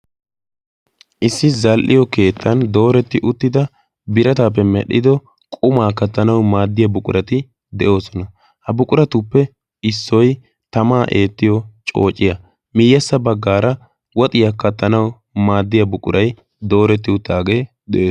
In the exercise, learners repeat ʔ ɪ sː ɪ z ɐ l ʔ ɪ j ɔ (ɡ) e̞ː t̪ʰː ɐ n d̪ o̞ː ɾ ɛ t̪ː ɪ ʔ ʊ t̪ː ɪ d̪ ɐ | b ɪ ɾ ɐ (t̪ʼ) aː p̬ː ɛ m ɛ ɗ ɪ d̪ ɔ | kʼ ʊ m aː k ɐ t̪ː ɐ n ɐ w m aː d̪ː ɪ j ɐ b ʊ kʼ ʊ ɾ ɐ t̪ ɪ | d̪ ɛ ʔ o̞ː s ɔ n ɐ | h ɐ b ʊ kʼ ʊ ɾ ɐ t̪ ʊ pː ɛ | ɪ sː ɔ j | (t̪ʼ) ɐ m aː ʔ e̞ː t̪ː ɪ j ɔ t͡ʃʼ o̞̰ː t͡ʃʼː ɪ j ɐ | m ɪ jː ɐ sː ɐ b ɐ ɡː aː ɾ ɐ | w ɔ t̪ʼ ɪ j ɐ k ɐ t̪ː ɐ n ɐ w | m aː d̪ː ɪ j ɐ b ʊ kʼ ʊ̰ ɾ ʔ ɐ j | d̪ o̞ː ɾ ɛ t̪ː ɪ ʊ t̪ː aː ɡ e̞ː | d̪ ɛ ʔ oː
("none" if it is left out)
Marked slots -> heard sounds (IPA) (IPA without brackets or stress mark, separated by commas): k, t̪, t̪